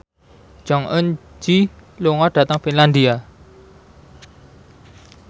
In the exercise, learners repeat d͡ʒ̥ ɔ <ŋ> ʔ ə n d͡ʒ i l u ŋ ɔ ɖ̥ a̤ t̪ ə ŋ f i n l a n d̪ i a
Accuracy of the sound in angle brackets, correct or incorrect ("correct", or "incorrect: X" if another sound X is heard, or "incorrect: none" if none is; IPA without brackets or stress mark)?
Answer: correct